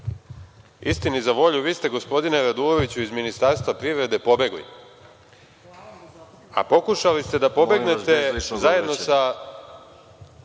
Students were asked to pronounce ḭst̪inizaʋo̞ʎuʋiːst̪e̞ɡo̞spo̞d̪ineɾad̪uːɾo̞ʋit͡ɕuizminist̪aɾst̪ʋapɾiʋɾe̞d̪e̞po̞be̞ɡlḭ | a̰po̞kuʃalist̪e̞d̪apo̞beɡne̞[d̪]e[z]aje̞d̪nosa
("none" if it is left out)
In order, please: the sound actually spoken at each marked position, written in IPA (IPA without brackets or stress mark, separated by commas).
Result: t̪, z